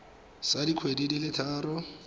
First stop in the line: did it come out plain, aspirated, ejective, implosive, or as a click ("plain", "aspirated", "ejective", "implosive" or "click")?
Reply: plain